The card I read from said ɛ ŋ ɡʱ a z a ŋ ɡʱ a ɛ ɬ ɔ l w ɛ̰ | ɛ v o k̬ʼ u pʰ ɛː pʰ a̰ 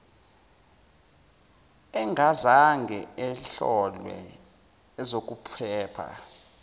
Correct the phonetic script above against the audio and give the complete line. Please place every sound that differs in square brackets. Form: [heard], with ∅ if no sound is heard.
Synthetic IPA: ɛ ŋ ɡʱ a z a ŋ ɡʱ [ɛ] ɛ ɬ ɔ l w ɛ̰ | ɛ [z] o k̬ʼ u pʰ ɛː pʰ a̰